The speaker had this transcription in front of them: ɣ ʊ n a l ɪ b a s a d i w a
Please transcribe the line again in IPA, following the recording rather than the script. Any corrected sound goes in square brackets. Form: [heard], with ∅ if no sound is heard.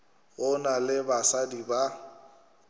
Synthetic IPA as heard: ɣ ʊ n a l ɪ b a s a d i [b] a